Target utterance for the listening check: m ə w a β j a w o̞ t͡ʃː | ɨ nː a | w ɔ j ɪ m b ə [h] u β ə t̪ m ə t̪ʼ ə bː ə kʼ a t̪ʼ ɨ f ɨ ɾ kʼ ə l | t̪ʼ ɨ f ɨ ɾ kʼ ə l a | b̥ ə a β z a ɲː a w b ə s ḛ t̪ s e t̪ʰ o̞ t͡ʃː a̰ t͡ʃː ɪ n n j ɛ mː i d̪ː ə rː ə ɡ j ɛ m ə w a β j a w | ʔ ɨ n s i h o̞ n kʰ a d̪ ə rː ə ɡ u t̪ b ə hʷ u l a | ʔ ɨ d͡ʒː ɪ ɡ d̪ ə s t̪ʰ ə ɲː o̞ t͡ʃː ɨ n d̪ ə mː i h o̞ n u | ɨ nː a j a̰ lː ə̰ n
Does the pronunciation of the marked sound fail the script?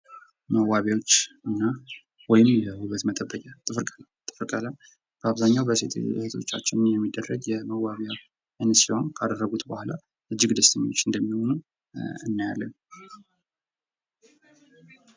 no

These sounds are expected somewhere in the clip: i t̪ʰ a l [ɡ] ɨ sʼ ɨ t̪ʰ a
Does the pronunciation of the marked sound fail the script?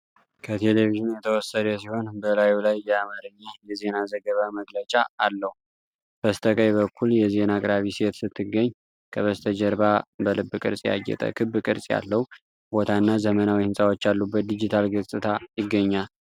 no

